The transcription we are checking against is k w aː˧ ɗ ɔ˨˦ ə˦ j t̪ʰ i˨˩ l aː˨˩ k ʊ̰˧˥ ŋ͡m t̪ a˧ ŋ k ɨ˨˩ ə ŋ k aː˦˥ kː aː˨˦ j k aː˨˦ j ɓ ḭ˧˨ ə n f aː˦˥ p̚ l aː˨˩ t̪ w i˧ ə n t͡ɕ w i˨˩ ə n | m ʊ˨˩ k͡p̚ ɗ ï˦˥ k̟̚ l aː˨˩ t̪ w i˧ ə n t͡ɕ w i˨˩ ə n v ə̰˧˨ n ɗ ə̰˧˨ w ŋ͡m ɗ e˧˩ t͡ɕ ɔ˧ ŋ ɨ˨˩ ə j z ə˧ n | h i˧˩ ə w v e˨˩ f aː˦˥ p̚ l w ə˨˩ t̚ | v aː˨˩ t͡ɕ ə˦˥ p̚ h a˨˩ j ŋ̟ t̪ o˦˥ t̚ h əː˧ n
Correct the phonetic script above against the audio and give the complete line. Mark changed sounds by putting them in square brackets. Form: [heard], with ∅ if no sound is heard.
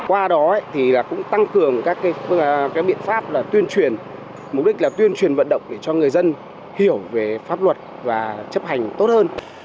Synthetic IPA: k w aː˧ ɗ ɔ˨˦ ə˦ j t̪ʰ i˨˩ l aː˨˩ k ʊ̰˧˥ ŋ͡m t̪ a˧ ŋ k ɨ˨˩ ə ŋ k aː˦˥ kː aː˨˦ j k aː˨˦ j ɓ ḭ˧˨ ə n f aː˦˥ p̚ l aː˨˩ t̪ w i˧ ə n t͡ɕ w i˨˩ ə n | m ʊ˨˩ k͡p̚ ɗ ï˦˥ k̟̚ l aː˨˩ t̪ w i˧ ə n t͡ɕ w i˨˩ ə n v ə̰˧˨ n ɗ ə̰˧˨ w ŋ͡m ɗ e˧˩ t͡ɕ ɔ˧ ŋ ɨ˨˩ ə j z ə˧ n | h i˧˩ ə w v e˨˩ f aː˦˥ p̚ l w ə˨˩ t̚ | v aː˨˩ t͡ɕ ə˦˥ p̚ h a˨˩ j ŋ̟ t̪ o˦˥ t̚ h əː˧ n